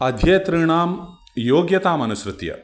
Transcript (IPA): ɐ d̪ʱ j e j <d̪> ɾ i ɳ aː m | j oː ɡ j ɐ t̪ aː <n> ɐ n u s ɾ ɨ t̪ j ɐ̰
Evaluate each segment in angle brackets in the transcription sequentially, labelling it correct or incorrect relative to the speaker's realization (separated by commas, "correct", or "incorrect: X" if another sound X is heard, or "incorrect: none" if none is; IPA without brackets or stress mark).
incorrect: t̪, incorrect: m